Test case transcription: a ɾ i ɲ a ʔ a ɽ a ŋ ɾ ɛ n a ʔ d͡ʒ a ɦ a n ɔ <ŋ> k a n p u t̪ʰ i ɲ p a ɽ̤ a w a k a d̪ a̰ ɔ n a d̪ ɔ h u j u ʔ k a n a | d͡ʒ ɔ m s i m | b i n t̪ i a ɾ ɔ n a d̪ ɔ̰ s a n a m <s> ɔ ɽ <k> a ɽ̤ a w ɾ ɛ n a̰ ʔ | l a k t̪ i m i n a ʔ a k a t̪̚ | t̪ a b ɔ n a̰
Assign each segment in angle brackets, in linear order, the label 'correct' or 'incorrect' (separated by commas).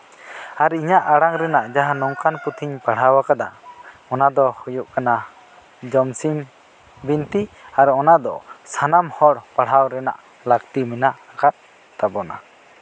correct, incorrect, incorrect